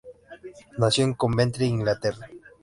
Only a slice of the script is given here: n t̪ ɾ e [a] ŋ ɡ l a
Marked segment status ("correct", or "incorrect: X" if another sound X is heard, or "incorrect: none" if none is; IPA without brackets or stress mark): incorrect: i